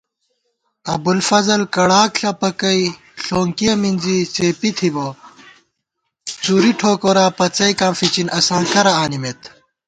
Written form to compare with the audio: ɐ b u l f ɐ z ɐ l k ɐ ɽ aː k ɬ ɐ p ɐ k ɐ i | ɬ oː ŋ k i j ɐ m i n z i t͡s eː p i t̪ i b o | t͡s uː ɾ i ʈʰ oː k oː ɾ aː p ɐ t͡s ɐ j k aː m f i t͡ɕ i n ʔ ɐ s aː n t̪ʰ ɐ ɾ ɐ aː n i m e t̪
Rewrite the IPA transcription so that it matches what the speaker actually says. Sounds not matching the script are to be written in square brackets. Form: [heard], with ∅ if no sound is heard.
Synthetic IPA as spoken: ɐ b u l f ɐ z ɐ l k ɐ ɽ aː k ɬ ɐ p ɐ k ɐ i | ɬ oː ŋ k i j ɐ m i n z i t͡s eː p i [t̪ʰ] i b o | t͡s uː ɾ i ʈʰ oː k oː ɾ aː p ɐ t͡s ɐ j k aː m f i t͡ɕ i n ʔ ɐ s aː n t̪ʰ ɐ ɾ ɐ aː n i m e t̪